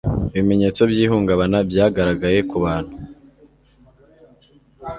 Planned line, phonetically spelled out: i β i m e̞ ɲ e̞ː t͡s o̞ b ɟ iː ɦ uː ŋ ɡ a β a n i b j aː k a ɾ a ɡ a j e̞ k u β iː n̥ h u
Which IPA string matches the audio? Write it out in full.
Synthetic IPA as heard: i β i m e̞ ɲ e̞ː t͡s o̞ b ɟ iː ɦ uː ŋ ɡ a β a n a b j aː ɡ a ɾ a ɡ a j e̞ k u β aː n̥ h u